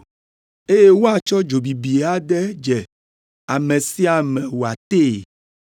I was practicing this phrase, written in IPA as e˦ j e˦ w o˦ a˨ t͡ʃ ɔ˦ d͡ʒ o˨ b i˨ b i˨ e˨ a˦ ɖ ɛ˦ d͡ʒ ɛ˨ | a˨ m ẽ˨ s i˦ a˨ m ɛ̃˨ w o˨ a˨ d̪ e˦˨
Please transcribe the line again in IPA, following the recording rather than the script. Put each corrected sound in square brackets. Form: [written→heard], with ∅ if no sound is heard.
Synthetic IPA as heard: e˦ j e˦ w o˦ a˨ t͡ʃ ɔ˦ d͡ʒ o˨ b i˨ b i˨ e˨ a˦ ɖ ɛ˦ d͡ʒ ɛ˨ | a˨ m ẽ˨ s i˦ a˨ m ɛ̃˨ w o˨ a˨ [d̪→t̪] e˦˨